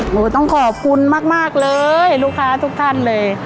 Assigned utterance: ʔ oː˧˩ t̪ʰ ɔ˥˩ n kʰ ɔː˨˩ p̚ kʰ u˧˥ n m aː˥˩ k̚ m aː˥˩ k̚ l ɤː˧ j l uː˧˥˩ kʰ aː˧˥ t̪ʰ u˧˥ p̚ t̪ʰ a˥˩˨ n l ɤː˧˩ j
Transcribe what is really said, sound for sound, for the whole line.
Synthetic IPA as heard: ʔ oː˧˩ t̪ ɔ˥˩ ŋ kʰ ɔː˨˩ p̚ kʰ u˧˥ n m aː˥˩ k̚ m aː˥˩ k̚ l ɤː˧ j l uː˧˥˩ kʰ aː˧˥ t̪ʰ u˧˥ k̚ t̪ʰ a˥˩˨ n l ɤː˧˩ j